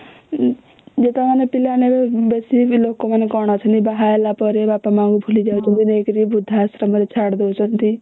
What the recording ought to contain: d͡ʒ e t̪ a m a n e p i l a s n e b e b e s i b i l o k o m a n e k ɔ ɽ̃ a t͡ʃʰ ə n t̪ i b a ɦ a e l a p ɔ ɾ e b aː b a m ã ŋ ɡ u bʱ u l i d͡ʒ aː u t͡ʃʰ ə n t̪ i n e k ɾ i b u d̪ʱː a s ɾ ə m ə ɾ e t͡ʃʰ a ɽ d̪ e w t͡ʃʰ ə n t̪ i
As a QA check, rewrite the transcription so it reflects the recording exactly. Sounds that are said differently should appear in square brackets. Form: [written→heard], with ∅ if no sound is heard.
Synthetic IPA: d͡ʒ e t̪ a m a n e p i l a [s→∅] n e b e b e s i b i l o k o m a n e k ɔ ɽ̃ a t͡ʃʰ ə n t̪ i b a ɦ a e l a p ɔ ɾ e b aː [b→p] a m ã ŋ ɡ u bʱ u l i d͡ʒ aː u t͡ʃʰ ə n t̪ i n e k ɾ i b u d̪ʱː a s ɾ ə m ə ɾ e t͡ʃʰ a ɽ d̪ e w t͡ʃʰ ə n t̪ i